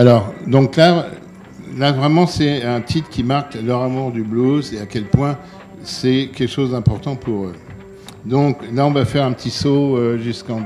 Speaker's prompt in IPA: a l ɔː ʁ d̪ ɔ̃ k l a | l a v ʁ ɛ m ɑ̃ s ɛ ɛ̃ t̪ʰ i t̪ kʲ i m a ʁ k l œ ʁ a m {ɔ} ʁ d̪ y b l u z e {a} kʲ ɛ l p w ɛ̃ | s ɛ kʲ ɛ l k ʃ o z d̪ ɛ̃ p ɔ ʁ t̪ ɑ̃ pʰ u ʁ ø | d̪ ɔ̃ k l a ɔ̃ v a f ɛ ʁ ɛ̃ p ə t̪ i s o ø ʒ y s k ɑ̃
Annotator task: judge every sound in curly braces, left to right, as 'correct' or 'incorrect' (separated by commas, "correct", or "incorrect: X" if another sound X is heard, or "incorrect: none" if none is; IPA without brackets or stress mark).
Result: incorrect: u, correct